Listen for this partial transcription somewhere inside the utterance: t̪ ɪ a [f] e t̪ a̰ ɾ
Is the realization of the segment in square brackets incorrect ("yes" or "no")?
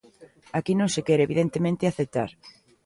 yes